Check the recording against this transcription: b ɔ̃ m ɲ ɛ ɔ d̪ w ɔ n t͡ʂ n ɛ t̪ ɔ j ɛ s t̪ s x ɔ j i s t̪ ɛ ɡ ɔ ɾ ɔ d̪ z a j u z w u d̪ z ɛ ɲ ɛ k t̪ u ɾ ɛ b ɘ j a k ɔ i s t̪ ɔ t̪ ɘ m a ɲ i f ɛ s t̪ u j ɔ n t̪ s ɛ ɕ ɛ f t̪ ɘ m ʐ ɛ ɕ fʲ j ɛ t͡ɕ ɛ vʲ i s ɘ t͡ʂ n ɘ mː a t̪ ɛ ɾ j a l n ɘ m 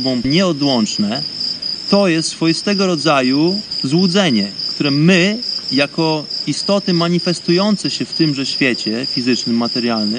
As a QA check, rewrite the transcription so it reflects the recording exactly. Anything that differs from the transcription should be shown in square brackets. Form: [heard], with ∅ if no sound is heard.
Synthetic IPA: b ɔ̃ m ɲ ɛ ɔ d̪ w ɔ n t͡ʂ n ɛ t̪ ɔ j ɛ s t̪ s [f] ɔ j i s t̪ ɛ ɡ ɔ ɾ ɔ d̪ z a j u z w u d̪ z ɛ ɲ ɛ k t̪ u ɾ ɛ [m] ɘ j a k ɔ i s t̪ ɔ t̪ ɘ m a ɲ i f ɛ s t̪ u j ɔ n t̪ s ɛ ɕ ɛ f t̪ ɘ m ʐ ɛ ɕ fʲ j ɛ t͡ɕ ɛ [fʲ] i [z] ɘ t͡ʂ n ɘ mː a t̪ ɛ ɾ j a l n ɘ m